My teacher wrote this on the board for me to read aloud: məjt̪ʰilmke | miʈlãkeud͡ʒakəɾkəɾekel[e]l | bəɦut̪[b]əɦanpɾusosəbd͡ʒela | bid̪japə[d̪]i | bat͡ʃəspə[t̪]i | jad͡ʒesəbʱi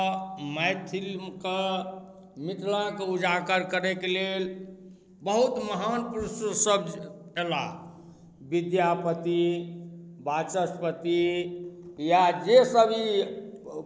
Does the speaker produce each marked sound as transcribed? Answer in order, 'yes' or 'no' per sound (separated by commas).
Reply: yes, no, no, yes